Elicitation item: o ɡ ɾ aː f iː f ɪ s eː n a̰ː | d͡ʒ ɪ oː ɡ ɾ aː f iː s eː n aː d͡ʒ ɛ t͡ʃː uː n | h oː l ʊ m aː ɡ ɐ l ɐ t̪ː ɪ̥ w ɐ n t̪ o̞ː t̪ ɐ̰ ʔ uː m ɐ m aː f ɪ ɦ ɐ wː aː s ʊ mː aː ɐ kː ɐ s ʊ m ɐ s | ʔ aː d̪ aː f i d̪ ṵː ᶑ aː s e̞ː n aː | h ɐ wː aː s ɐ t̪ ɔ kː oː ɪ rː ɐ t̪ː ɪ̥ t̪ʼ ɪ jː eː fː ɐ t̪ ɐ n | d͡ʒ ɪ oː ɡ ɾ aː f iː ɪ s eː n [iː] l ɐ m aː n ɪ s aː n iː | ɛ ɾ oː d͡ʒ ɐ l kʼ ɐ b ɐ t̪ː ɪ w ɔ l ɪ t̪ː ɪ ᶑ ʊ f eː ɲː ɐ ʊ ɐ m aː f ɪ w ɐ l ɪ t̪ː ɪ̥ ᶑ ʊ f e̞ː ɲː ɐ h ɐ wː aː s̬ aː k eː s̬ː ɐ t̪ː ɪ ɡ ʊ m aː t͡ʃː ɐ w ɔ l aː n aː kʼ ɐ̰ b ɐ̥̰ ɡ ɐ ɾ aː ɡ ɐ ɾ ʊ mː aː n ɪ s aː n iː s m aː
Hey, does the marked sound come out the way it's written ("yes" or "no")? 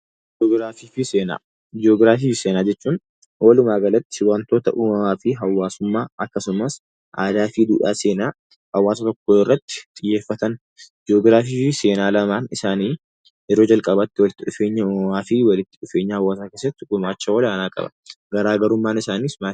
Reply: no